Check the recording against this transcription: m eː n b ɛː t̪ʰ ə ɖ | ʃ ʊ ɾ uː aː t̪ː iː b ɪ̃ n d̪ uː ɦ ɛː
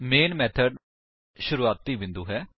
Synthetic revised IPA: m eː n m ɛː t̪ʰ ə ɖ | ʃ ʊ ɾ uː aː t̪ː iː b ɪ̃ n d̪ uː ɦ ɛː